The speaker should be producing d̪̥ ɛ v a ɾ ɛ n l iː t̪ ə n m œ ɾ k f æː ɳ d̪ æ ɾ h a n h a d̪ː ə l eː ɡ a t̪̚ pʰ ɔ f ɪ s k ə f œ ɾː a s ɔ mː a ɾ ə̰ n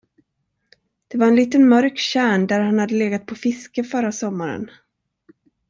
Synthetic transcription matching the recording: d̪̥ ɛ v a ɾ ɛ n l iː t̪ ə n m œ ɾ k ɕ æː ɳ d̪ æ ɾ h a n h a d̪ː ə l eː ɡ a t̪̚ pʰ ɔ f ɪ s k ə f œ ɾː a s ɔ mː a ɾ ə̰ n